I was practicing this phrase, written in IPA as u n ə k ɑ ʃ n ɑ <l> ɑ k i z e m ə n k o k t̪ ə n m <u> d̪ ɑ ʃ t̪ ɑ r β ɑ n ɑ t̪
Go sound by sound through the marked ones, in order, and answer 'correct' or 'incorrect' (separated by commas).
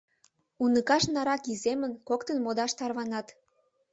incorrect, incorrect